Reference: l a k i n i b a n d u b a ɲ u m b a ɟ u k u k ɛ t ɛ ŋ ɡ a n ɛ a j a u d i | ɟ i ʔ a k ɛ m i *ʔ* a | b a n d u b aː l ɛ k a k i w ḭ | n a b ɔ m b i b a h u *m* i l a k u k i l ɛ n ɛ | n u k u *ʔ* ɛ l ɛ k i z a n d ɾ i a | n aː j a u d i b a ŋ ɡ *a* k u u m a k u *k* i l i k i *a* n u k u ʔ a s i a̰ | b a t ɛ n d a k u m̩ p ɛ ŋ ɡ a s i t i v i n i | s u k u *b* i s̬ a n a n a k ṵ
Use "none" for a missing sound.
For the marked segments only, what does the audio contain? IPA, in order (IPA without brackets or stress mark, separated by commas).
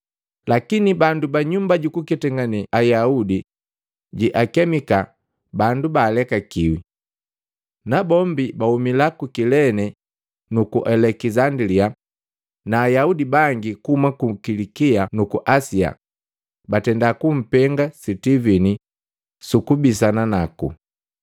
k, m, ʔ, i, k, a, b